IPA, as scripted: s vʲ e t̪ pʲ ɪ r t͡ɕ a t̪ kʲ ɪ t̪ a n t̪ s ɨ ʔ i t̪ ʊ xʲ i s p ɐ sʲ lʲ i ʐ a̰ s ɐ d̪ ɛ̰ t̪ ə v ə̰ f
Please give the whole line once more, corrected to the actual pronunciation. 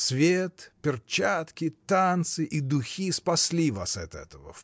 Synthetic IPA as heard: s vʲ e t̪ pʲ ɪ r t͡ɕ a t̪ kʲ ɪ t̪ a n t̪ s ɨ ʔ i d̪ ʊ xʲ i s p ɐ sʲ lʲ i v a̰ s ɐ t̪ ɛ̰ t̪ ə v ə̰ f